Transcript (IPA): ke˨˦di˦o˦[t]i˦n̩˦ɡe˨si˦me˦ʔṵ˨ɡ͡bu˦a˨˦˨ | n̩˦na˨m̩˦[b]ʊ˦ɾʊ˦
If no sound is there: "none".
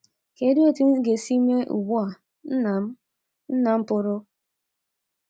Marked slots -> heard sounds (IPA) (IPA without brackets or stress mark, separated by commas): t, p